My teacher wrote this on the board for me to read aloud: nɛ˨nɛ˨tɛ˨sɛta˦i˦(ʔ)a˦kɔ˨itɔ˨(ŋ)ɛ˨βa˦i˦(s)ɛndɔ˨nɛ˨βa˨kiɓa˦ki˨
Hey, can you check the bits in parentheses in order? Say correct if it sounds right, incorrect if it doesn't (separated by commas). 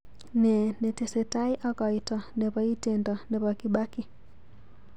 correct, incorrect, incorrect